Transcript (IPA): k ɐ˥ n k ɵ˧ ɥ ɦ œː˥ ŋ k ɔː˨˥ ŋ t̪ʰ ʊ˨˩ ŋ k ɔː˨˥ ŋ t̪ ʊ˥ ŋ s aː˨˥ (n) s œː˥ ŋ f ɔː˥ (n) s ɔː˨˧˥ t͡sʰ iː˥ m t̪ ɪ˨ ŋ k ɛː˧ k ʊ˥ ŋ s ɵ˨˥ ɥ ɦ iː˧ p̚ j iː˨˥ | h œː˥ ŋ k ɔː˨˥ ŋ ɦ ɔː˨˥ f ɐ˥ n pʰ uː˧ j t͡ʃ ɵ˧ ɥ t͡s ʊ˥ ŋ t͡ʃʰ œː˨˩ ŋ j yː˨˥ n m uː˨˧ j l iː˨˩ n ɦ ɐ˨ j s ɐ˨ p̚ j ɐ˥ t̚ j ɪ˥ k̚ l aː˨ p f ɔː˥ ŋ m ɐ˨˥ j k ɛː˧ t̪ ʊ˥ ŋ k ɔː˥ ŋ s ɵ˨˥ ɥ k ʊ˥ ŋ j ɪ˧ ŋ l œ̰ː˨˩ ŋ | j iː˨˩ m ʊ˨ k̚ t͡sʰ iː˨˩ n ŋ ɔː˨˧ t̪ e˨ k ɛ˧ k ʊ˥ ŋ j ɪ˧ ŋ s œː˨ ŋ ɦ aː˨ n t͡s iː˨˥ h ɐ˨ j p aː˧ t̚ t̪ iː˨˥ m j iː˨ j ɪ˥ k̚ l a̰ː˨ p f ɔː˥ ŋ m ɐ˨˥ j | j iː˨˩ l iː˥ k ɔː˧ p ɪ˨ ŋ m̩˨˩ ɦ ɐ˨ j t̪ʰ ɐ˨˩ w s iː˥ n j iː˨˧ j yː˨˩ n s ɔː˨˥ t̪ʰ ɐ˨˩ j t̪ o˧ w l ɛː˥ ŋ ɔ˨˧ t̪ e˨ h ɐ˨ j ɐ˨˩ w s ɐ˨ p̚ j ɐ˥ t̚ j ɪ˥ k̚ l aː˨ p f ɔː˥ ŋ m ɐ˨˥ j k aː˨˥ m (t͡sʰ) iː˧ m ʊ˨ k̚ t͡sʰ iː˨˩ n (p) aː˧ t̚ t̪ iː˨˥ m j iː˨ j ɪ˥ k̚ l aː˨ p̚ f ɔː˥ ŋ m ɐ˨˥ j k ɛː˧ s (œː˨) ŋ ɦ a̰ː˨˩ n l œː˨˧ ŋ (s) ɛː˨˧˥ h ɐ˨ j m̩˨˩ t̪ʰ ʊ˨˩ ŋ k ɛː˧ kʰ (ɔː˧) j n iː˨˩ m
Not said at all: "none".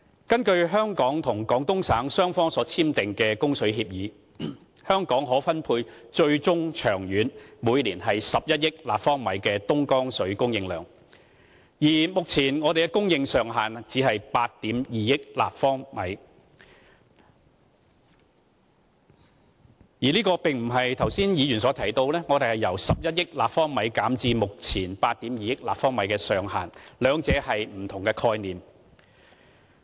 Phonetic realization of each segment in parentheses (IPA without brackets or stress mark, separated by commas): ŋ, ŋ, t͡s, p, œː˨, t͡s, ɔː˧